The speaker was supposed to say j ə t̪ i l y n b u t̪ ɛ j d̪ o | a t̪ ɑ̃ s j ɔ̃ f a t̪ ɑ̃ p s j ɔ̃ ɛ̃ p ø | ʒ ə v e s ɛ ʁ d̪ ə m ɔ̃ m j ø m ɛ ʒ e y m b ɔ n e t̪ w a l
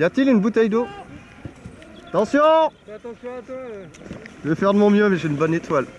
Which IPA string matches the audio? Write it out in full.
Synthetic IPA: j a t̪ i l y n b u t̪ ɛ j d̪ o | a t̪ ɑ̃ s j ɔ̃ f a t̪ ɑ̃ s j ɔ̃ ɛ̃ p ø | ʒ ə v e f ɛ ʁ d̪ ə m ɔ̃ m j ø m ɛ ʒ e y n b ɔ n e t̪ w a l